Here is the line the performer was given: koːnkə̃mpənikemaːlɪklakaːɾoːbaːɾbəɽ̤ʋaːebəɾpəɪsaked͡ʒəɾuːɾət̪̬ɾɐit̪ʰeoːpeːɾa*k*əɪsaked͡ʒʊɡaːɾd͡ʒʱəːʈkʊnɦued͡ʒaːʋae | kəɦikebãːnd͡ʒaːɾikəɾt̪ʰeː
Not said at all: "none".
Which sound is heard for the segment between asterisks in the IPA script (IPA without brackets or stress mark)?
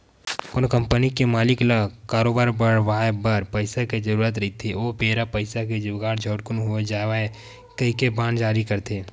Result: p